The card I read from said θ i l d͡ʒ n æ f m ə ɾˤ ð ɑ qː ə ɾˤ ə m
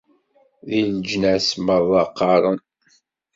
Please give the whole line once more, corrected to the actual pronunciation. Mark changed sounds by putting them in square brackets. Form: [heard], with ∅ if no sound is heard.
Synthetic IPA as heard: [ð] i l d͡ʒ n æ [s] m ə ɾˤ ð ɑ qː [ɑ] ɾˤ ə [n]